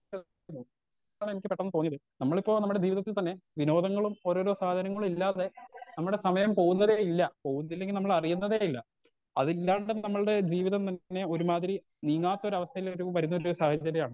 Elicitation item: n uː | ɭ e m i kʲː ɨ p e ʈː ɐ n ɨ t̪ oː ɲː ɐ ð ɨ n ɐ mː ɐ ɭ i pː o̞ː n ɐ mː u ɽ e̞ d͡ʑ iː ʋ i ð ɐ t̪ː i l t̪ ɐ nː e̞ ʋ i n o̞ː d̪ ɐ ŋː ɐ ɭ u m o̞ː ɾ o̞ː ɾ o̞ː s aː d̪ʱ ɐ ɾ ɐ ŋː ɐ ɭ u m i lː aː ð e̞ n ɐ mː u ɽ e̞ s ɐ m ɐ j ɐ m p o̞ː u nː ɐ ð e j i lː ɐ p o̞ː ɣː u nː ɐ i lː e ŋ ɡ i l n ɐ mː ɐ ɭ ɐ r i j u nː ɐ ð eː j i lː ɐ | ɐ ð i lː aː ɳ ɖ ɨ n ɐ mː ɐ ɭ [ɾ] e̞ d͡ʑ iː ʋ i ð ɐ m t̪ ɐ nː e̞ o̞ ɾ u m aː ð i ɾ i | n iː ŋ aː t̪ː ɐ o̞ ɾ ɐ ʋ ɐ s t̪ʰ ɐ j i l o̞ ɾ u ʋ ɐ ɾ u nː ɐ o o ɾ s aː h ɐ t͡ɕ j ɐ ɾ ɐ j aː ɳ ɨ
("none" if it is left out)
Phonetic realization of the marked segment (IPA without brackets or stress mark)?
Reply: ɽ